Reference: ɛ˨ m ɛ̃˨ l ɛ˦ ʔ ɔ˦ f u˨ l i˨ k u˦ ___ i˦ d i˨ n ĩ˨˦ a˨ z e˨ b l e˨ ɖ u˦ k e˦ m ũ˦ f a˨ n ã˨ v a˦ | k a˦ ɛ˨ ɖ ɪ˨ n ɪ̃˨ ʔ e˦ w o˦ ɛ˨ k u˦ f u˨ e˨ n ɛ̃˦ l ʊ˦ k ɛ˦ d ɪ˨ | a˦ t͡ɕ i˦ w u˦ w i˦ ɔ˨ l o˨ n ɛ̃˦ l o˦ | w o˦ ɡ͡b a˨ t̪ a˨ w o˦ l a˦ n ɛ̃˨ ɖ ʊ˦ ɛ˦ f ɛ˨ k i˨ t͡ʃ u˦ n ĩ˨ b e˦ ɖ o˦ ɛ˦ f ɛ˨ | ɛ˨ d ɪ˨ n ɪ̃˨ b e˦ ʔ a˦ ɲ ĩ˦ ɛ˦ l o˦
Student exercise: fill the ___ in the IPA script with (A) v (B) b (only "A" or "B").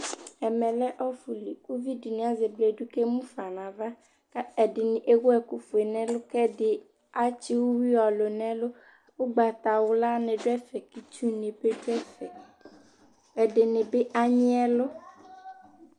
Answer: A